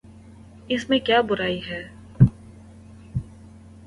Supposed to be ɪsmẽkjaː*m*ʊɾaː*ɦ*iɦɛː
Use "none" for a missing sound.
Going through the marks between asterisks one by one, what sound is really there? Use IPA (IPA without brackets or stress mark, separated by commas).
b, none